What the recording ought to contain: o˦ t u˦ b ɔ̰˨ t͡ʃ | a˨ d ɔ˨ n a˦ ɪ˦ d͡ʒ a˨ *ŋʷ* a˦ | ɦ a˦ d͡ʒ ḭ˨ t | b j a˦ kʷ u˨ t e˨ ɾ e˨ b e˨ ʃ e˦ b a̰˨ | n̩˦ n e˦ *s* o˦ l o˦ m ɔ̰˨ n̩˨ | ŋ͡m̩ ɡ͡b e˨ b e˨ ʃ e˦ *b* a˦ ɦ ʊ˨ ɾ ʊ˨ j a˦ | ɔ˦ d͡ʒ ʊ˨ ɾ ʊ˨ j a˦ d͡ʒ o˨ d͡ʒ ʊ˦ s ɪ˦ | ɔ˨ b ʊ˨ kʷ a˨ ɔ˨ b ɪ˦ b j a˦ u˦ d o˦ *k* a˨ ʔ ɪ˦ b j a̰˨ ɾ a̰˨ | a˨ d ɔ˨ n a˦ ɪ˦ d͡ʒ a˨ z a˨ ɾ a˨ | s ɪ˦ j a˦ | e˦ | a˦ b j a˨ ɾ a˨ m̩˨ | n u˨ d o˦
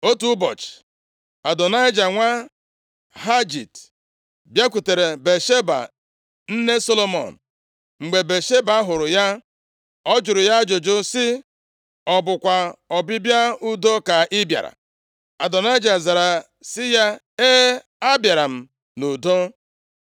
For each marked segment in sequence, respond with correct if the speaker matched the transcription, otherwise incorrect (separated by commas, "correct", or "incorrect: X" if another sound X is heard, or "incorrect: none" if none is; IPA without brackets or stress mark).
correct, correct, correct, correct